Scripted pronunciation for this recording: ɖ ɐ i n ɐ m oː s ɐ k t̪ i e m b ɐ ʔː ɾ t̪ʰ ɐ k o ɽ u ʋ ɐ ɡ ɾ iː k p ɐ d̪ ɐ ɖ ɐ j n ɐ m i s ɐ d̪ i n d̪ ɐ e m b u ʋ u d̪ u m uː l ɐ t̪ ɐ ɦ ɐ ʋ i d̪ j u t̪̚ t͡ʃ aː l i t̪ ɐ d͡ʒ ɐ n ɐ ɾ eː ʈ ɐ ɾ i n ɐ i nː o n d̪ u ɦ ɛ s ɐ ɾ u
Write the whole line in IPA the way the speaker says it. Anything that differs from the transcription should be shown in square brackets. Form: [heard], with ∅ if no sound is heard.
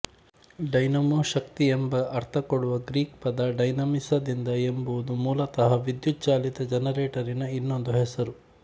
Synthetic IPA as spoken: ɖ ɐ [j] n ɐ m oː [ʃ] ɐ k t̪ i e m b ɐ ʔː ɾ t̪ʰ ɐ k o ɽ u ʋ ɐ ɡ ɾ iː k p ɐ d̪ ɐ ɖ ɐ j n ɐ m i s ɐ d̪ i n d̪ ɐ e m b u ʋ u d̪ u m uː l ɐ t̪ ɐ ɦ ɐ ʋ i d̪ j u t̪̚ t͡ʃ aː l i t̪ ɐ d͡ʒ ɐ n ɐ ɾ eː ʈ ɐ ɾ i n ɐ i nː o n d̪ u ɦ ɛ s ɐ ɾ u